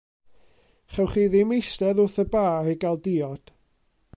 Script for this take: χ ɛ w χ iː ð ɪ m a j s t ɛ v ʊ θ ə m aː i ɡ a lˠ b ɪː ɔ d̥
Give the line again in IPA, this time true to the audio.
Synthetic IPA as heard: χ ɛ w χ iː ð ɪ m e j s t ɛ ð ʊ θ ə b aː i ɡ a lˠ d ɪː ɔ d̥